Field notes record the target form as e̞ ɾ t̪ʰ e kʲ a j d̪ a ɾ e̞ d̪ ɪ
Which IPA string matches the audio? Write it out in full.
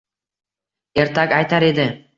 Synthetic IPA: e̞ ɾ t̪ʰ a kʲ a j t̪ a ɾ e̞ d̪ ɪ

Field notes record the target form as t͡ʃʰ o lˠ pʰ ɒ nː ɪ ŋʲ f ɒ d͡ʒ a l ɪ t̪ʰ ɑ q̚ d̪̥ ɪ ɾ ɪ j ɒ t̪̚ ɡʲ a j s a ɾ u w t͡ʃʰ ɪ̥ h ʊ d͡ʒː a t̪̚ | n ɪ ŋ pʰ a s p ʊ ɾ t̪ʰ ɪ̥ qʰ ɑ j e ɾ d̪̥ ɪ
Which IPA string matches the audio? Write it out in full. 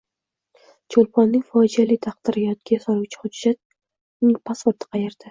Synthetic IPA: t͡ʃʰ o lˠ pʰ ɒ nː ɪ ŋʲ f ɒ d͡ʒ a l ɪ t̪ʰ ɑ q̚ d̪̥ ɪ ɾ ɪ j ɒ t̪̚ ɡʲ a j s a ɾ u w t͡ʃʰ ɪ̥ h ʊ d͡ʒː a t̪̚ | n ɪ ŋ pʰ a s p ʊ ɾ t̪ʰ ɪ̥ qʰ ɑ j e ɾ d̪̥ ɪ

